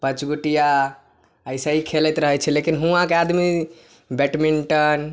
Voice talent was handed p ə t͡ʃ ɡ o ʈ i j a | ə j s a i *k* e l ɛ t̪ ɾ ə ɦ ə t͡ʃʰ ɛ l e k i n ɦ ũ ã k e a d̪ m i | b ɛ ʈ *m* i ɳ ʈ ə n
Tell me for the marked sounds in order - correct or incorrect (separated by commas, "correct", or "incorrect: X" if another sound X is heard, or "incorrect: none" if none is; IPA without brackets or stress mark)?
incorrect: kʰ, correct